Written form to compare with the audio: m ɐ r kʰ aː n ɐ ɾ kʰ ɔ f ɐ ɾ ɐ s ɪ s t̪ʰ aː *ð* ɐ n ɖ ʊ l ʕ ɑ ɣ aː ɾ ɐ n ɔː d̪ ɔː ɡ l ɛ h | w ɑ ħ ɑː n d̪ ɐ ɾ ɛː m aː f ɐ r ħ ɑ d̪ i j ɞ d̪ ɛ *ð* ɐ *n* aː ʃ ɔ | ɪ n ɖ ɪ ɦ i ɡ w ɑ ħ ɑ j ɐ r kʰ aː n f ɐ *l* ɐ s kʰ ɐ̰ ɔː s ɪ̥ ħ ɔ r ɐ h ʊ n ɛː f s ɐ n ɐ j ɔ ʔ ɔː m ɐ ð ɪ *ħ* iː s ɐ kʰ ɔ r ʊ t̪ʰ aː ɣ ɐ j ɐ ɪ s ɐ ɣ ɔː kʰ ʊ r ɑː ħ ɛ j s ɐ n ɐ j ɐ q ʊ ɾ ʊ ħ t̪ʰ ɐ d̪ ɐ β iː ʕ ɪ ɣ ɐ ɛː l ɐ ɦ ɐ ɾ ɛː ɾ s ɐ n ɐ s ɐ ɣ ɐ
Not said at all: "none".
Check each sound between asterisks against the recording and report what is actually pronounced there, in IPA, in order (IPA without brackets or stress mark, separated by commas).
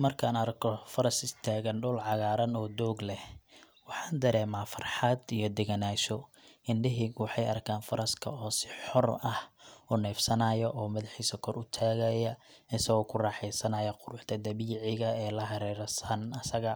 ɣ, ɣ, n, ɾ, ħ